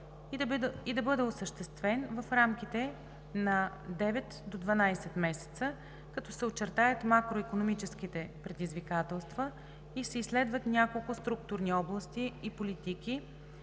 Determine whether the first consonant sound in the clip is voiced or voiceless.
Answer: voiced